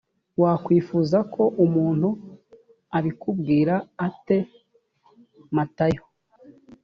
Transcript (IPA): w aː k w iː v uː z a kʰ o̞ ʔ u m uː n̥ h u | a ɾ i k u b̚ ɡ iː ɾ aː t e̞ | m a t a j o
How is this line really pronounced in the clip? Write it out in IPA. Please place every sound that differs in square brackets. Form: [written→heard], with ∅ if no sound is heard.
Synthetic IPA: w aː k w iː [v→f] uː z a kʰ o̞ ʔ u m uː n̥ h u | a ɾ i k u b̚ ɡ iː ɾ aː t e̞ | m a t a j o